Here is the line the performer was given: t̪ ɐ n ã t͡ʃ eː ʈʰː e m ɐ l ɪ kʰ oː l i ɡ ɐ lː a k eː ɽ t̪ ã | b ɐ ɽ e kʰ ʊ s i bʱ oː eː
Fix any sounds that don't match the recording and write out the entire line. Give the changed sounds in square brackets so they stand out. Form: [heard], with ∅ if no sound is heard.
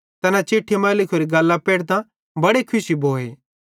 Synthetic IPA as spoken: t̪ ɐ n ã t͡ʃ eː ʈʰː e m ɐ l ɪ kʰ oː [ɾ] i ɡ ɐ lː a [p] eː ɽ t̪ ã | b ɐ ɽ e kʰ ʊ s i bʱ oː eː